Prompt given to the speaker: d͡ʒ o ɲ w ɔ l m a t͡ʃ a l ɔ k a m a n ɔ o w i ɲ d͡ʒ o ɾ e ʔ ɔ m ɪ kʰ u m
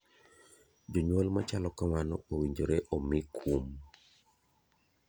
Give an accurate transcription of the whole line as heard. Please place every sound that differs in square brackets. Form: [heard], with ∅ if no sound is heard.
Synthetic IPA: d͡ʒ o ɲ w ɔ l m a t͡ʃ a l ɔ k a m a n ɔ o w i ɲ d͡ʒ o ɾ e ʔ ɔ m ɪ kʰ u m